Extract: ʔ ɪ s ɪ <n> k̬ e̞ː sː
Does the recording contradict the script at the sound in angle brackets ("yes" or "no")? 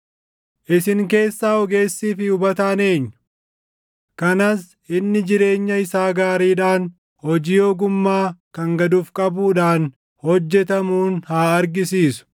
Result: yes